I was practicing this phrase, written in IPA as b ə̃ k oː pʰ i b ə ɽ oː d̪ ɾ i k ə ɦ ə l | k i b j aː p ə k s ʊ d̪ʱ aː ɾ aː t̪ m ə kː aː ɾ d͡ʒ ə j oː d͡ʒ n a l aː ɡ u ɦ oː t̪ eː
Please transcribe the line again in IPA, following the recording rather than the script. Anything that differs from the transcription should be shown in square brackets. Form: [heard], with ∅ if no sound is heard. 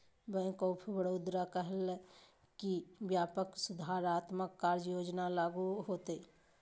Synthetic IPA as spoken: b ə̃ k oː pʰ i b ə ɽ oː d̪ ɾ [a] k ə ɦ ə l | k i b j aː p ə k s ʊ d̪ʱ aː ɾ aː t̪ m ə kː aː ɾ d͡ʒ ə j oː d͡ʒ n a l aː ɡ u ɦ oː t̪ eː